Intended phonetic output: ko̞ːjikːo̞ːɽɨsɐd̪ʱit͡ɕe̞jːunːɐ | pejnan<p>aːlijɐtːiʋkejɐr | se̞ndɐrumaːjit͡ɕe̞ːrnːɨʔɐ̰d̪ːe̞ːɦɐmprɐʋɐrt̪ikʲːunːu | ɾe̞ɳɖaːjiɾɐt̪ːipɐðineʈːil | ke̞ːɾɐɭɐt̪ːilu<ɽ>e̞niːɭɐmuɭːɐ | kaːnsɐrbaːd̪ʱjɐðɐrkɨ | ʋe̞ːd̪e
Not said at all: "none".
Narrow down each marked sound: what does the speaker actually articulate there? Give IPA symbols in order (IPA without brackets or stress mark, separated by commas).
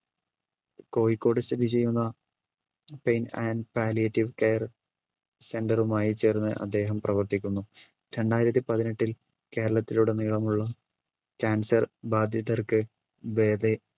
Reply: p, ɽ